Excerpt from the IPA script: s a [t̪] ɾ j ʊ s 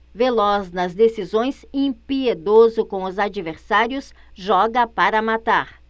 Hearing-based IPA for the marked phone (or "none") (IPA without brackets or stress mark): none